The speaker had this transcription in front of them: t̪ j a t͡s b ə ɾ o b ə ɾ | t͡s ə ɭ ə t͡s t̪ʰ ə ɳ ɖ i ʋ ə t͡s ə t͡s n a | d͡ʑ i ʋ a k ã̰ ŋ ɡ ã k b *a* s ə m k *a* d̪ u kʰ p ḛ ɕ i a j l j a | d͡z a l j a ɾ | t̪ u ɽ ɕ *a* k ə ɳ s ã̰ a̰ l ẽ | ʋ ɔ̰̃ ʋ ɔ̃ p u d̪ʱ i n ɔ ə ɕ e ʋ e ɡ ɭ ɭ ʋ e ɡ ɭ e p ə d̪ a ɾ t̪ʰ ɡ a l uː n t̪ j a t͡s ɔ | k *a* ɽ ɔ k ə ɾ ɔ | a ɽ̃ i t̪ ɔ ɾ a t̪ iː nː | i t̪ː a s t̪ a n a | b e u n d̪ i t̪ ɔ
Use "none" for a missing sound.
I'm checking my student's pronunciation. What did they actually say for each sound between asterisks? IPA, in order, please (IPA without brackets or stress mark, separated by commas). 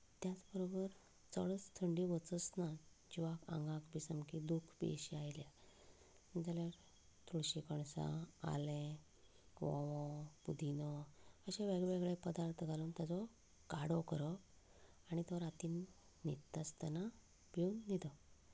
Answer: i, i, i, a